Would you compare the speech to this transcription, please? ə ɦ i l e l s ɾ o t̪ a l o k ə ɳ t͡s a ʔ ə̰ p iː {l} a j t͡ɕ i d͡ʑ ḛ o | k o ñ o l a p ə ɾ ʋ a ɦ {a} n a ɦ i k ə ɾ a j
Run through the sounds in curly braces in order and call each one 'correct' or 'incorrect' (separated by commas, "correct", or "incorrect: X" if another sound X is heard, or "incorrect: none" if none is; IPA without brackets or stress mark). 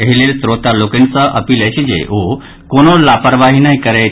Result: correct, incorrect: i